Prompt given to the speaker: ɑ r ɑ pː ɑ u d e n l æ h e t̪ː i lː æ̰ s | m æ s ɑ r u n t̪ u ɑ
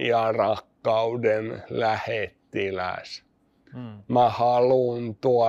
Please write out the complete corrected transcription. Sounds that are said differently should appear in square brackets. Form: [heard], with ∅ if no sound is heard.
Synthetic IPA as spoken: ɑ r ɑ [kː] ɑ u d e n l æ h e t̪ː i [l] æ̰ s | m æ [h] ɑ [l] u n t̪ u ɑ